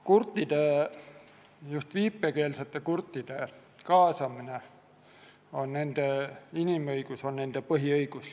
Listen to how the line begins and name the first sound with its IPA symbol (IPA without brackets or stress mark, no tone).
k